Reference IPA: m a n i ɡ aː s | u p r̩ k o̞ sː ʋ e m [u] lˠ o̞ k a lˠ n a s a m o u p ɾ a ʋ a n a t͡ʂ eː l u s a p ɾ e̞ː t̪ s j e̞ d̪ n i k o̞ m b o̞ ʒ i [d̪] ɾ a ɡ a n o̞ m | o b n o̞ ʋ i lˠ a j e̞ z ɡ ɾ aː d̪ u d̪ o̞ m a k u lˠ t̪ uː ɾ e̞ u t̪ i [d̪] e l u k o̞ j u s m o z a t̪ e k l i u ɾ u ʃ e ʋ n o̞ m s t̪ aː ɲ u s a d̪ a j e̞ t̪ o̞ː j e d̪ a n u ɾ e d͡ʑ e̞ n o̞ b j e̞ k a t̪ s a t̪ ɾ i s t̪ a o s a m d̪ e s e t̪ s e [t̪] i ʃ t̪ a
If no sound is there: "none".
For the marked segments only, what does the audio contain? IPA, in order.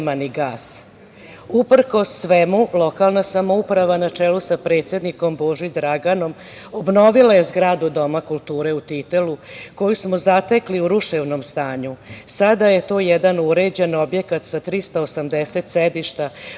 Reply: u, d̪, t̪, d̪

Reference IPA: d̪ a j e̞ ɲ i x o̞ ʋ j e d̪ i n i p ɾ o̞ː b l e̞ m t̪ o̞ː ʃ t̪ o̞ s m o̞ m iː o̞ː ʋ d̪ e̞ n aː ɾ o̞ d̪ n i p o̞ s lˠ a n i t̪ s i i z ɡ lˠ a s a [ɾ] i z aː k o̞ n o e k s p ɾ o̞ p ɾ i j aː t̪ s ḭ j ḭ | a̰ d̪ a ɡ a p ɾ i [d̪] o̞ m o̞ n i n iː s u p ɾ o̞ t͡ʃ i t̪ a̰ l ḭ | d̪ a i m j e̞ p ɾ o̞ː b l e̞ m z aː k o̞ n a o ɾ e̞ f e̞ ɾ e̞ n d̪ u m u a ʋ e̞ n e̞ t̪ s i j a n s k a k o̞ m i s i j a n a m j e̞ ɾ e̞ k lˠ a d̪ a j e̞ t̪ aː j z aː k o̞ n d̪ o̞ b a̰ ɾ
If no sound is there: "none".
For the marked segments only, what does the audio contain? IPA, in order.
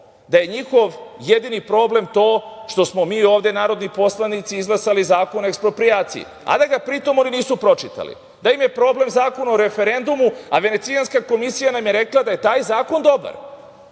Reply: l, t̪

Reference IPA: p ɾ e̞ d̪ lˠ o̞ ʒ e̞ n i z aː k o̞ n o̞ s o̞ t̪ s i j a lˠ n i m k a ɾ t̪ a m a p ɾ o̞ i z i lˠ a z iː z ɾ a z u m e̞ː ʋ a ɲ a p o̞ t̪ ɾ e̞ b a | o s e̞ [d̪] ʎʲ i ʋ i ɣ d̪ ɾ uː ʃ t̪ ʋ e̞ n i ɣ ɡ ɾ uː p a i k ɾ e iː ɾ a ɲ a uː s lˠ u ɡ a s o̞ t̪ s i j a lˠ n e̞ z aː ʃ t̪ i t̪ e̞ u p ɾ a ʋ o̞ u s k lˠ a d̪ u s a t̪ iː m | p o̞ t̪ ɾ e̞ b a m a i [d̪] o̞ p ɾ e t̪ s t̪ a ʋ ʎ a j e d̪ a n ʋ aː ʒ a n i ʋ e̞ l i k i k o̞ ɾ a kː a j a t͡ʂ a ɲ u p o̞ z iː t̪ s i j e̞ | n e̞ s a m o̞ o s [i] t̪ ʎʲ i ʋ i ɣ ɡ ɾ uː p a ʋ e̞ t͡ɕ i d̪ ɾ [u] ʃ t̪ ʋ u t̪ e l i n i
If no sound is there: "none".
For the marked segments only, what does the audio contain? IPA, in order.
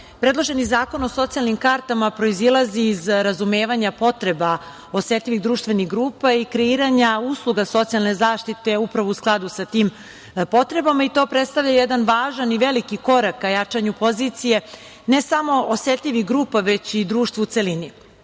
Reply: t̪, t̪, e, uː

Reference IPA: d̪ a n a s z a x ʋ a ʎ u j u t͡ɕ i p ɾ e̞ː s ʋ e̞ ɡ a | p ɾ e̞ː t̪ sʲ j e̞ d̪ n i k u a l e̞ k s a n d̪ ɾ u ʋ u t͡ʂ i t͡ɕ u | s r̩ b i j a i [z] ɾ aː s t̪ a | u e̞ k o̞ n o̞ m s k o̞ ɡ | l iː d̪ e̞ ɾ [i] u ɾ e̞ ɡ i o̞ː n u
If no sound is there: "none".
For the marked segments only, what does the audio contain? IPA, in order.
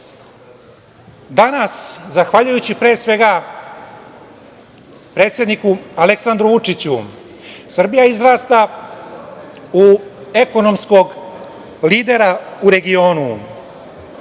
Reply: z, a

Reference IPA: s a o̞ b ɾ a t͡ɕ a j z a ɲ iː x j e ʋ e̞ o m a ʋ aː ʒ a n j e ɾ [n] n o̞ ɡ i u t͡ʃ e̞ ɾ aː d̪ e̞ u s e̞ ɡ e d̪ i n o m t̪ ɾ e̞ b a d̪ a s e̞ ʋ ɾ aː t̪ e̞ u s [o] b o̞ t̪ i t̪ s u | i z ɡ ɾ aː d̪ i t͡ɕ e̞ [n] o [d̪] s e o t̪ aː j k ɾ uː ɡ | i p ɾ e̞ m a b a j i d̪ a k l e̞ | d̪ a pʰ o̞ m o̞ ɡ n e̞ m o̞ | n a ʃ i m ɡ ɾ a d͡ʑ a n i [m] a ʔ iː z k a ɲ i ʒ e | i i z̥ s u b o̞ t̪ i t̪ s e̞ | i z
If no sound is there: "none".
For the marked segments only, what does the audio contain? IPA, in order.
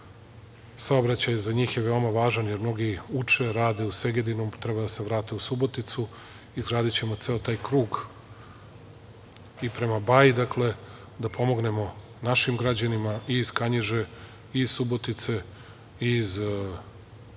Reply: m, u, m, t̪, m

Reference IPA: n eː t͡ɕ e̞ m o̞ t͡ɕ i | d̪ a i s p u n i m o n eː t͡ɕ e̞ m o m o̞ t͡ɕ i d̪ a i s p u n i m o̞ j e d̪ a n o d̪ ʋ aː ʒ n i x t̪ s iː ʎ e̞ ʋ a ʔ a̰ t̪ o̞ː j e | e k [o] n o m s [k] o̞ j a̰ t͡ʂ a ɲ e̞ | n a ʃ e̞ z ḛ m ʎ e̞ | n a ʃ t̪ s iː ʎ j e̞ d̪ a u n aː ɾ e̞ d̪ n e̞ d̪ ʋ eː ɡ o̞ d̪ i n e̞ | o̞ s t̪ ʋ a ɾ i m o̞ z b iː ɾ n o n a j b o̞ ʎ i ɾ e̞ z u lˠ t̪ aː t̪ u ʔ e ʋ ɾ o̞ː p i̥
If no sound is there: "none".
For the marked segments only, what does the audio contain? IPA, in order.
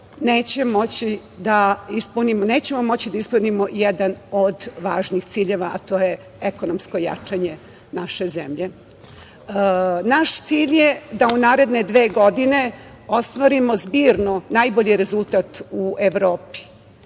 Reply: o, k

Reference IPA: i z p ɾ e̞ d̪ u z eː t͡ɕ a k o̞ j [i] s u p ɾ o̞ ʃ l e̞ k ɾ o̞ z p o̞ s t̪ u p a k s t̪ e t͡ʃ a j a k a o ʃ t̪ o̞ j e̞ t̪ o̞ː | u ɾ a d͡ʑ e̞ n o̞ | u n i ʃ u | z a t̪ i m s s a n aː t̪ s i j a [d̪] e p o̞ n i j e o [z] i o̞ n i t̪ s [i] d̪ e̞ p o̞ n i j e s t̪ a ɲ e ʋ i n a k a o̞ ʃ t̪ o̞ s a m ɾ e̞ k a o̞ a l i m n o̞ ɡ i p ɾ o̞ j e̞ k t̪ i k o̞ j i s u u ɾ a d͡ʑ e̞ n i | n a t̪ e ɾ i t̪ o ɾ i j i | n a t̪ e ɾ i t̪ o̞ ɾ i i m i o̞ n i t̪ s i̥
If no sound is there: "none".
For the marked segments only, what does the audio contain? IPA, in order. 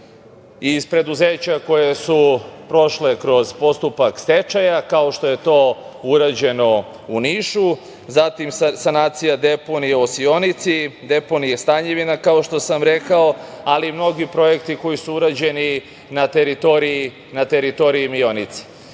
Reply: e, d̪, s, i

